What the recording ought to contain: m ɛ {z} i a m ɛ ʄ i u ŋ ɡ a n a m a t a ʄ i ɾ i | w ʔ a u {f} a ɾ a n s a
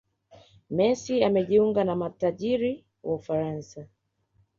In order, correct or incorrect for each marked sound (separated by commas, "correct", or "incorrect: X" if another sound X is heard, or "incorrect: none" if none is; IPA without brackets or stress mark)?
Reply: incorrect: s, correct